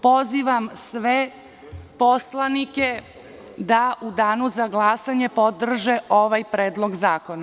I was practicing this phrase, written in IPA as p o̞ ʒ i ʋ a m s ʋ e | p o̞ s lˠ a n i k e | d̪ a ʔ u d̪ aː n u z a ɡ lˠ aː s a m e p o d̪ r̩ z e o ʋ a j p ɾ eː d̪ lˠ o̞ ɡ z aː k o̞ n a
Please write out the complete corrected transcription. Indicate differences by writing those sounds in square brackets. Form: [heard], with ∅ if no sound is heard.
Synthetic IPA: p o̞ [z] i ʋ a m s ʋ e | p o̞ s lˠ a n i k e | d̪ a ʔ u d̪ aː n u z a ɡ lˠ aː s a [ɲ] e p o d̪ r̩ [ʒ] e o ʋ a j p ɾ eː d̪ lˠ o̞ ɡ z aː k o̞ n a

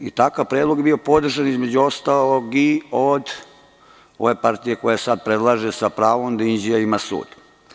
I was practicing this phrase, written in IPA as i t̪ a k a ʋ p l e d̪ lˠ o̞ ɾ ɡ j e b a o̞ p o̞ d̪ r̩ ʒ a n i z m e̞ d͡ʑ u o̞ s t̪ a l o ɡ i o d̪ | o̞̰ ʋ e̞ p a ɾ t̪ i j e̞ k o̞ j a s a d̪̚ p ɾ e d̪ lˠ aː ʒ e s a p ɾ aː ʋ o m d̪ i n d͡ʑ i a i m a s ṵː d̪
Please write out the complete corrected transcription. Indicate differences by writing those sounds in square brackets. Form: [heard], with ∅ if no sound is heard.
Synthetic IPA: i t̪ a k a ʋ p [ɾ] e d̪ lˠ o̞ [∅] ɡ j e b [i] o̞ p o̞ d̪ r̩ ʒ a n i z m e̞ d͡ʑ u o̞ s t̪ a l o ɡ i o d̪ | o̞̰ ʋ e̞ p a ɾ t̪ i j e̞ k o̞ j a s a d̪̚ p ɾ e d̪ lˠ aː ʒ e s a p ɾ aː ʋ o m d̪ i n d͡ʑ i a i m a s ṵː d̪

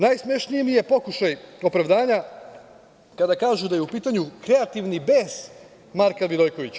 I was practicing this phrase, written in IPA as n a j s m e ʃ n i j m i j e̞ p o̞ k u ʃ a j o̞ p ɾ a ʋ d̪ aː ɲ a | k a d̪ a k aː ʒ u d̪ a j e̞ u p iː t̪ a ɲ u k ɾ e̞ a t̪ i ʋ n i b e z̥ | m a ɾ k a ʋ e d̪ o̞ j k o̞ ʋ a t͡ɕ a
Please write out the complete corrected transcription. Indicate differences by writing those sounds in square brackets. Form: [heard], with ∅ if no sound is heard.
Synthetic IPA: n a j s m e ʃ n i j m i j e̞ p o̞ k u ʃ a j o̞ p ɾ a ʋ d̪ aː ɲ a | k a d̪ a k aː ʒ u d̪ a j e̞ u p iː t̪ a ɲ u k ɾ e̞ a t̪ i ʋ n i b e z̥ | m a ɾ k a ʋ [i] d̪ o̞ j k o̞ ʋ [i] t͡ɕ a

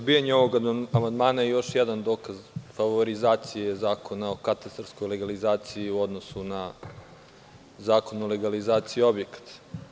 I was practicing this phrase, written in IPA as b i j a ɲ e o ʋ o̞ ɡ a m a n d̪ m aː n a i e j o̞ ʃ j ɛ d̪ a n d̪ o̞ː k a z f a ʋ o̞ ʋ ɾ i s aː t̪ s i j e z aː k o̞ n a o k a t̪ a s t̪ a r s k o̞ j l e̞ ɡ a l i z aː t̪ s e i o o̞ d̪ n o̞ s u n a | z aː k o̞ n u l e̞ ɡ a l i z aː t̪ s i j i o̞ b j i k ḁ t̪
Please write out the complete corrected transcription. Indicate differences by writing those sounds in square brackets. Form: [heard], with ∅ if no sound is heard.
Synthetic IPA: b i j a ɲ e o ʋ o̞ ɡ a m a n d̪ m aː n a [j] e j o̞ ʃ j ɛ d̪ a n d̪ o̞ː k a z f a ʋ o̞ [∅] ɾ i [z] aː t̪ s i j e z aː k o̞ n a o k a t̪ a s t̪ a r s k o̞ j l e̞ ɡ a l i z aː t̪ s [i] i [u] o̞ d̪ n o̞ s u n a | z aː k o̞ n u l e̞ ɡ a l i z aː t̪ s i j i o̞ b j [e] k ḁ t̪

